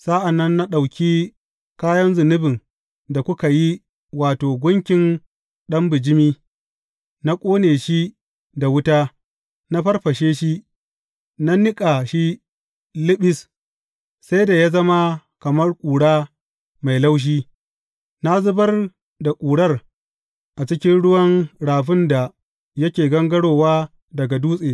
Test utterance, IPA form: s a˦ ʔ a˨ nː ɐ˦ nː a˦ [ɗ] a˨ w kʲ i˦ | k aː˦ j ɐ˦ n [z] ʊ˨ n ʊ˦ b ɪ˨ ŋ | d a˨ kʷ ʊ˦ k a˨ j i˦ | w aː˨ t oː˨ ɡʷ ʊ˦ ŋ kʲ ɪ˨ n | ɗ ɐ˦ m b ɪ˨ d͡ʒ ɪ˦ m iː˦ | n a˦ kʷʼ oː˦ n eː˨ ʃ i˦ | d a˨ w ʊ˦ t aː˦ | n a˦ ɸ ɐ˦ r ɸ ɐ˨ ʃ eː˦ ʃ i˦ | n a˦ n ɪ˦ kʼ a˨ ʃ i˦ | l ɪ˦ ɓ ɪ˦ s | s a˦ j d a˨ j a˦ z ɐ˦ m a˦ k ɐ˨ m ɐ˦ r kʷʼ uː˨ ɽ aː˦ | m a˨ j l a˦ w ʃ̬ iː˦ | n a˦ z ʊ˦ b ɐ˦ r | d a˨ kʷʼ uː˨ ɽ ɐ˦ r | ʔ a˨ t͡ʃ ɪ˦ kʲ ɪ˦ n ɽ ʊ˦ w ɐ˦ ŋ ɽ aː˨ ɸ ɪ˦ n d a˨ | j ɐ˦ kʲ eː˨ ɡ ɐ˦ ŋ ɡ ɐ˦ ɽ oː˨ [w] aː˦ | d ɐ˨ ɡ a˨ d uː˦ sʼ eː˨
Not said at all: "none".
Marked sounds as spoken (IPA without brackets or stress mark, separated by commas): ɗ, z, w